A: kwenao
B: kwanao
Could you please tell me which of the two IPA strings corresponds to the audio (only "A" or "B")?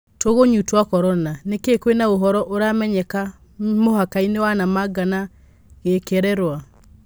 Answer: A